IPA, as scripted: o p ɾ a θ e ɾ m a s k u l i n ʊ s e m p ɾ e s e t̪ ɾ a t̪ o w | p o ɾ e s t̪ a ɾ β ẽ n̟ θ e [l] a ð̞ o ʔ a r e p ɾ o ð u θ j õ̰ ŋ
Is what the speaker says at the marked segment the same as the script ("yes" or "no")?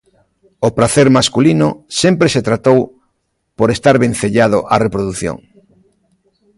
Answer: no